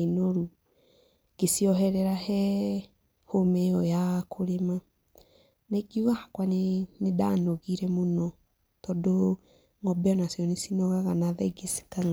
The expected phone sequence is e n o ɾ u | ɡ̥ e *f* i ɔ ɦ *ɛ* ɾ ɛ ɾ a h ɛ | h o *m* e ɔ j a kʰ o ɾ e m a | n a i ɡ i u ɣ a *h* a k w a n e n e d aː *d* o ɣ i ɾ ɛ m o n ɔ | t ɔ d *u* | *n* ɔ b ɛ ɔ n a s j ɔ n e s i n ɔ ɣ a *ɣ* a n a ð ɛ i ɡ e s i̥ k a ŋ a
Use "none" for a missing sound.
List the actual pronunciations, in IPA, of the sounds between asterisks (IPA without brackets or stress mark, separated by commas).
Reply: s, ɛ, m, h, n, o, ŋ, ɣ